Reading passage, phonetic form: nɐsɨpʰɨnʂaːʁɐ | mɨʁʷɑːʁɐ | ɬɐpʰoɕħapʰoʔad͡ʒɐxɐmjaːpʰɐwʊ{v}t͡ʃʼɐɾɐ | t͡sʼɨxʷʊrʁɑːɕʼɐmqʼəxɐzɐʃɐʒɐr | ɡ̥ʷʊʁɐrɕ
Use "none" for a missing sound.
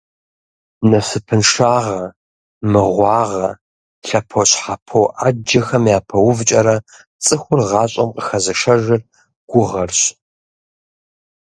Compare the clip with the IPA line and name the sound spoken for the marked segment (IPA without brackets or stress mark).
v